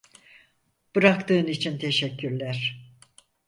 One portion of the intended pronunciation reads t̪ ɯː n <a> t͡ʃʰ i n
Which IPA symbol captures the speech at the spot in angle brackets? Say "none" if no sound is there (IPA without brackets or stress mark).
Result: i